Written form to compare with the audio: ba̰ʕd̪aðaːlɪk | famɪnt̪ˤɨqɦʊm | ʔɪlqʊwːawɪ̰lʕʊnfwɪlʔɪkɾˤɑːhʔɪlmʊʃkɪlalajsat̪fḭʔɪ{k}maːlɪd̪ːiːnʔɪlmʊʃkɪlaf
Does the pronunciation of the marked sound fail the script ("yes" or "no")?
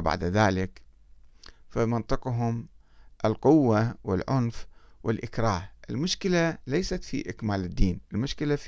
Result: no